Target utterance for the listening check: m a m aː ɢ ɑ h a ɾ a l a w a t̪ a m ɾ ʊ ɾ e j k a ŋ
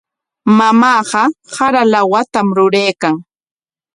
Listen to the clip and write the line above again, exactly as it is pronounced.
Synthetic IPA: m a m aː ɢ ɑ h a ɾ a l a w a t̪ a m ɾ ʊ ɾ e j k a ŋ